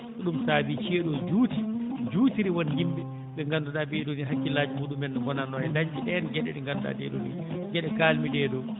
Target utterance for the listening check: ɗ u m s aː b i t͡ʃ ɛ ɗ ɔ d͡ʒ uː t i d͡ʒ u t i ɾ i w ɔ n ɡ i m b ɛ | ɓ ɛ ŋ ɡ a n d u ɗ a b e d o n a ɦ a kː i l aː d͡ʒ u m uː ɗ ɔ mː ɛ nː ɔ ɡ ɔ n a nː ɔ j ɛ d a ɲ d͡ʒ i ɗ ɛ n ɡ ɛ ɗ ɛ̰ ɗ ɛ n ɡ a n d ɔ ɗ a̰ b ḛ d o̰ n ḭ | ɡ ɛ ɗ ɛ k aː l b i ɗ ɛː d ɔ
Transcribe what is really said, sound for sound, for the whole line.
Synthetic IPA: ɗ u m s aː b i t͡ʃ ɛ ɗ ɔ d͡ʒ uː t i d͡ʒ u t i ɾ i w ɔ n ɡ i m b ɛ | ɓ ɛ ŋ ɡ a n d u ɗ a b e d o n i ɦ a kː i l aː d͡ʒ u m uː ɗ u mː ɛ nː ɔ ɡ ɔ n a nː ɔ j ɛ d a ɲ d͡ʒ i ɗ ɛ n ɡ ɛ ɗ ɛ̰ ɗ ɛ ŋ ɡ a n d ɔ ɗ a̰ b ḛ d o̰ n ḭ | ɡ ɛ ɗ ɛ k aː l m i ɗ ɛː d ɔ